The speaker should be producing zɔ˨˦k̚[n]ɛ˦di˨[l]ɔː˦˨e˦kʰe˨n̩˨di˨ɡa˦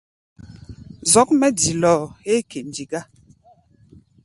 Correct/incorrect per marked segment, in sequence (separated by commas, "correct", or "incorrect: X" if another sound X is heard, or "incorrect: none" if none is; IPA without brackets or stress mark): incorrect: m, correct